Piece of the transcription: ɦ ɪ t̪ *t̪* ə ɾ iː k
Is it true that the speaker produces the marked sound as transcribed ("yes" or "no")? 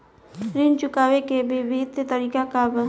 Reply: yes